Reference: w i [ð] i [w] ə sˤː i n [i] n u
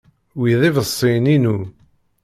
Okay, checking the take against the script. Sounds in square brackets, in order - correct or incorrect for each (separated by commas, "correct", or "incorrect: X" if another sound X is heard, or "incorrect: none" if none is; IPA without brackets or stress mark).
correct, incorrect: v, correct